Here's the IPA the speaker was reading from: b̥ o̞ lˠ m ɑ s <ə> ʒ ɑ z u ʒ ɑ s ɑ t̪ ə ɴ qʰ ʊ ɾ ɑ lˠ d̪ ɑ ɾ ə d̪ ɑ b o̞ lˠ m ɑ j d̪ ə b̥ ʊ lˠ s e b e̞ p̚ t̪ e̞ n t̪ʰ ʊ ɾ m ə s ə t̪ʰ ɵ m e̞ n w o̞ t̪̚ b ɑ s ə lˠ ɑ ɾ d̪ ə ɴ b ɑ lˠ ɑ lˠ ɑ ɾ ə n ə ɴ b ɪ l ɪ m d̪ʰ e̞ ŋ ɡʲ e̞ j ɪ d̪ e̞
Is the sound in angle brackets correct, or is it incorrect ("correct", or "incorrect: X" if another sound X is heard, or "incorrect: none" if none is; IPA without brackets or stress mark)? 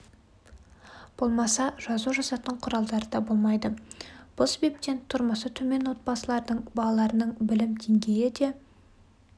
incorrect: ɑ